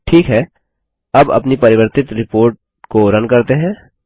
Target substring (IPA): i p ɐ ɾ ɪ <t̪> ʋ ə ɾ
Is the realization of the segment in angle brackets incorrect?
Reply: yes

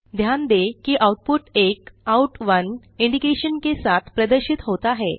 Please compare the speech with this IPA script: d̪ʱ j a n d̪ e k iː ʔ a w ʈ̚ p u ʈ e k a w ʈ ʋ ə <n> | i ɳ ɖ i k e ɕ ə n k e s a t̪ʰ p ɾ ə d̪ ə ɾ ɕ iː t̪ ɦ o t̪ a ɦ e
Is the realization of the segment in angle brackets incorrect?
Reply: no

